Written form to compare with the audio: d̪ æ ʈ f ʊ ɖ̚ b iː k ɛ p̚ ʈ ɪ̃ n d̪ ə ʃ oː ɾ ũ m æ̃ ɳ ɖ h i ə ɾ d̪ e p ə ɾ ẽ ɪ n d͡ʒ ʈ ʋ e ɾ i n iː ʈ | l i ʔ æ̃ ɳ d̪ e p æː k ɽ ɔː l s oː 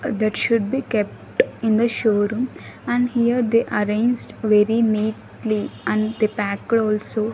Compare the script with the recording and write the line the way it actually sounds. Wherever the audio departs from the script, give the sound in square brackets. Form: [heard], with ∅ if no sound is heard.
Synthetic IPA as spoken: d̪ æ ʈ [ʃ] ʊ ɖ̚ b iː k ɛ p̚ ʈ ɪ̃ n d̪ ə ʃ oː ɾ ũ m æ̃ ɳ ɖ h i ə ɾ d̪ e [ʔ] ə ɾ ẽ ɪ n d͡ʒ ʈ ʋ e ɾ i n iː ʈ | l i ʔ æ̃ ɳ d̪ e p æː k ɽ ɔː l s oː